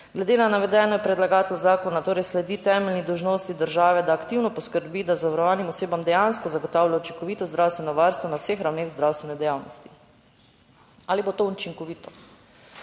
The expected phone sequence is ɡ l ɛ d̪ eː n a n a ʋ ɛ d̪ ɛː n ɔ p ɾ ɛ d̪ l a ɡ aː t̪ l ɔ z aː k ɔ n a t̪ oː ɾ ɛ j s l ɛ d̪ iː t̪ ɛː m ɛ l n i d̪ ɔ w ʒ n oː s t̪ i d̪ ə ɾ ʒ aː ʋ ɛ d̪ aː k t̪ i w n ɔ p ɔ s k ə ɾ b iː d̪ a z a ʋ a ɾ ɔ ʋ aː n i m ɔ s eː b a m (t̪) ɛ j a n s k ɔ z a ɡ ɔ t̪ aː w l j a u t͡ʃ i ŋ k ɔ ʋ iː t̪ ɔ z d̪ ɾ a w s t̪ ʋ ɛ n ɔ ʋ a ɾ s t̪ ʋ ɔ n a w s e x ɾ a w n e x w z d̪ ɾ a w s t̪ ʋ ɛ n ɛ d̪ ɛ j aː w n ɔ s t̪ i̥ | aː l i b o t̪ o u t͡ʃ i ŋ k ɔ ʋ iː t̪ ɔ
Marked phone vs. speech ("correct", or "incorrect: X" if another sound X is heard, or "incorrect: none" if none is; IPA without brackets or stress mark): incorrect: d̪